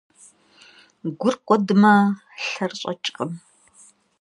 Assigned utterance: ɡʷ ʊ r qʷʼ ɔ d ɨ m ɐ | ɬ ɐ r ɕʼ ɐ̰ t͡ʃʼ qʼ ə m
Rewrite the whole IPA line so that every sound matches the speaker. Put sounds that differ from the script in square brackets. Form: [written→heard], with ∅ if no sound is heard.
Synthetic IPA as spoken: ɡʷ ʊ r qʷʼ ɔ d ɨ m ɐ | ɬ ɐ r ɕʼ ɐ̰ t͡ʃʼ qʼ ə m

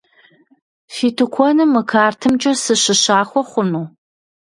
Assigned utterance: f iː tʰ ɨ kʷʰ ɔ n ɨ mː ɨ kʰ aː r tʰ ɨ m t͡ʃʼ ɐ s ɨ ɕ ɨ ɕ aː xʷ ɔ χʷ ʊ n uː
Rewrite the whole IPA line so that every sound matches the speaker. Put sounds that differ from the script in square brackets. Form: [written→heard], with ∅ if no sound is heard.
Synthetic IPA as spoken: f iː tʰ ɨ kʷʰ ɔ n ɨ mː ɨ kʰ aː r tʰ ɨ m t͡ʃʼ ɐ s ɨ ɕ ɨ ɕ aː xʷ ɔ χʷ ʊ n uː

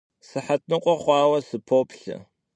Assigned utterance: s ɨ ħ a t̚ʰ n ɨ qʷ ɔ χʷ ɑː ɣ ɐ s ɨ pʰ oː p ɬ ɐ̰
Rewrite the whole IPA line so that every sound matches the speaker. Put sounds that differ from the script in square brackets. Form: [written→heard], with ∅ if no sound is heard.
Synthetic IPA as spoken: s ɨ ħ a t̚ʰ n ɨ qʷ ɔ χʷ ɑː [ɣ→w] ɐ s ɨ pʰ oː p ɬ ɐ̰

